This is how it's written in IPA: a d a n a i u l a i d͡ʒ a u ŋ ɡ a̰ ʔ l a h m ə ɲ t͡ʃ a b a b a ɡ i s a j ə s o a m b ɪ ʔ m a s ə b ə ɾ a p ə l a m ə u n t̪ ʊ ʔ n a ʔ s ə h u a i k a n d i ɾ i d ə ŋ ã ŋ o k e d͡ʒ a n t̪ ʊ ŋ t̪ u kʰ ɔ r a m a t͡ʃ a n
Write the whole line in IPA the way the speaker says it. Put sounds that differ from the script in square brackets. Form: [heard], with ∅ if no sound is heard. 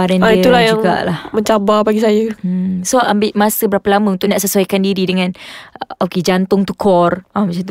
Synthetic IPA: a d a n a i u l a [j] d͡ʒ a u ŋ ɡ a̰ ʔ l a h m ə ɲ t͡ʃ a b a b a ɡ i s a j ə s o a m b ɪ ʔ m a s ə b ə ɾ a p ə l a m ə u n t̪ ʊ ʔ n a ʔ s ə [s] u a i k a n d i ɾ i d ə ŋ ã [n] o k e d͡ʒ a n t̪ ʊ ŋ t̪ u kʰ ɔ r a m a t͡ʃ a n